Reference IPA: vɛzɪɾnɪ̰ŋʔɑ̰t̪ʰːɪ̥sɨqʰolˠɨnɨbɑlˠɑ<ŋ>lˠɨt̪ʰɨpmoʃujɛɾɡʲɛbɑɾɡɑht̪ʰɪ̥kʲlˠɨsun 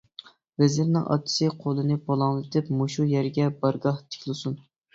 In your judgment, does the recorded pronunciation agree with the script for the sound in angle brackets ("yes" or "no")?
yes